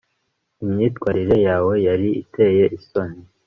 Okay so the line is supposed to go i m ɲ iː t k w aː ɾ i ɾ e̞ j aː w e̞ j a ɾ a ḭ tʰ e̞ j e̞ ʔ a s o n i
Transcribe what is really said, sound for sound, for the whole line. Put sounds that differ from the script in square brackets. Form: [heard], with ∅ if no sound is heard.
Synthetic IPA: i m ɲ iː t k w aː ɾ i ɾ e̞ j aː w e̞ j a ɾ [i] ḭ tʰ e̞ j e̞ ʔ [i] s o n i

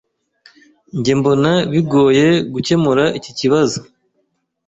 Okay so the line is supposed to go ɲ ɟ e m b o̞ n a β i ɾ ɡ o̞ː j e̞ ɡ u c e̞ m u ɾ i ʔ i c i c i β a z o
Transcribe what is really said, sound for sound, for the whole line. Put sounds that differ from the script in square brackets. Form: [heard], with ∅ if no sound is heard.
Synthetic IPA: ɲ ɟ e m b o̞ n a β i [∅] ɡ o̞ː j e̞ ɡ u c e̞ m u ɾ [a] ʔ i c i c i β a z o

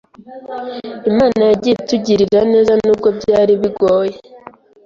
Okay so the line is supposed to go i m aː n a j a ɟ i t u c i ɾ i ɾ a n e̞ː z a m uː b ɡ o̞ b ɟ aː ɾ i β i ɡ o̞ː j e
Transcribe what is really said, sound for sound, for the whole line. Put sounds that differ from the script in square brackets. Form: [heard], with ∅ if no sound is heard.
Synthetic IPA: i m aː n a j a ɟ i t u [ɟ] i ɾ i ɾ a n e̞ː z a [n] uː b ɡ o̞ b ɟ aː ɾ i β i ɡ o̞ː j e

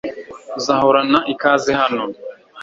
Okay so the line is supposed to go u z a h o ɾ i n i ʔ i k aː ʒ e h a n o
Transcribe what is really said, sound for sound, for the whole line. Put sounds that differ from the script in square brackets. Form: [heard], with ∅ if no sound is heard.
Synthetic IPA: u z a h o ɾ [a] n [a] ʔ i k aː [z] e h a n o

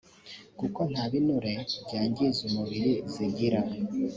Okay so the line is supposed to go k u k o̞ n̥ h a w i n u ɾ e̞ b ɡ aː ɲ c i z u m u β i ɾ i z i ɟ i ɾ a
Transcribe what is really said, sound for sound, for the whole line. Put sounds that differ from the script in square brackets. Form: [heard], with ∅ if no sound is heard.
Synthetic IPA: k u k o̞ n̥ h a [β] i n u ɾ e̞ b [ɟ] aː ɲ [ɟ] i z u m u β i ɾ i z i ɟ i ɾ a

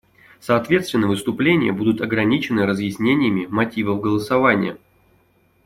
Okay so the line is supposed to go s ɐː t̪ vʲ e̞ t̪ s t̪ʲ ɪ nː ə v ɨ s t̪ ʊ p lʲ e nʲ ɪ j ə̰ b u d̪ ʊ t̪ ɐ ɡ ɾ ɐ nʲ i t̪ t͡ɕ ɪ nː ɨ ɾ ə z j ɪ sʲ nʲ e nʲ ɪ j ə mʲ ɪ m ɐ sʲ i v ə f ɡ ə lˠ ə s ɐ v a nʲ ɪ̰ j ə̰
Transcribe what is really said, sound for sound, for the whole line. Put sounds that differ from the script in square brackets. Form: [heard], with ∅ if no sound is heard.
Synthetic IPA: s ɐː t̪ vʲ e̞ t̪ s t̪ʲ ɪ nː ə v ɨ s t̪ ʊ p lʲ e nʲ ɪ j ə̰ b u d̪ ʊ t̪ ɐ ɡ ɾ ɐ nʲ i [∅] t͡ɕ ɪ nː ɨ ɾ ə z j ɪ sʲ nʲ e nʲ ɪ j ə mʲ ɪ m ɐ [tʲ] i v ə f ɡ ə lˠ ə s ɐ v a nʲ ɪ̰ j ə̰

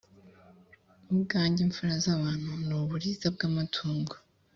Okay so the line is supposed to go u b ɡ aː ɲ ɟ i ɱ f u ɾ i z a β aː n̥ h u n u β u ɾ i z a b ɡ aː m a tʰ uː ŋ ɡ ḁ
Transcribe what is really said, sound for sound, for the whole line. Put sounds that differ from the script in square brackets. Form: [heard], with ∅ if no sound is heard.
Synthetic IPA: u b ɡ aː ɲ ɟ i ɱ f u ɾ [a] z a β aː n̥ h u n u β u ɾ i z a b ɡ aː m a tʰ uː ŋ ɡ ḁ

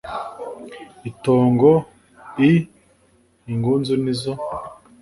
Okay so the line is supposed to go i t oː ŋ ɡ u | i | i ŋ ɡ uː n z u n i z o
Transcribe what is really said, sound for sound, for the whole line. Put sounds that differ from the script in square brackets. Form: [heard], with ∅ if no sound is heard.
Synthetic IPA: i t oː ŋ ɡ [o] | i | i ŋ ɡ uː n z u n i z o

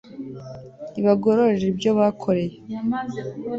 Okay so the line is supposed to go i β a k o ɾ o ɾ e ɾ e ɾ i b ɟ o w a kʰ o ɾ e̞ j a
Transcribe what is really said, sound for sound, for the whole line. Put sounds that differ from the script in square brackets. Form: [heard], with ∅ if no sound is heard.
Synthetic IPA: i β a [ɡ] o ɾ o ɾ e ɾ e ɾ i b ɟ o [β] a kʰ o ɾ e̞ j [e]

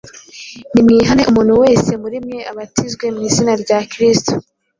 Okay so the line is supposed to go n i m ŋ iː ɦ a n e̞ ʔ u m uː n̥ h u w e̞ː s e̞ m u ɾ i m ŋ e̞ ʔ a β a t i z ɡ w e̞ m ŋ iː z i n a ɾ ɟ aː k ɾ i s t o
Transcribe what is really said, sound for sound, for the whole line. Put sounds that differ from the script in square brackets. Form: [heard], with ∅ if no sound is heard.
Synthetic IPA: n i m ŋ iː ɦ a n e̞ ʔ u m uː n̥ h u w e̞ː s e̞ m u ɾ i m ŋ e̞ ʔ a β a t i z ɡ w e̞ m ŋ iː z i n a ɾ ɟ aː k ɾ i s t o

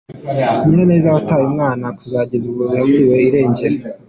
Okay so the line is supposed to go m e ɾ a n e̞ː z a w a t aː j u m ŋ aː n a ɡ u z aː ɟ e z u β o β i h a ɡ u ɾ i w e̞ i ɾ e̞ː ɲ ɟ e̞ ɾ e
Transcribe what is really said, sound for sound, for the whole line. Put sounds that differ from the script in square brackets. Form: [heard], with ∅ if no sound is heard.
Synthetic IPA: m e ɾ a n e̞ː z a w a t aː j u m ŋ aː n a [k] u z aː ɟ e z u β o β i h a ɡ u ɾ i w e̞ i ɾ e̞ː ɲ ɟ e̞ ɾ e

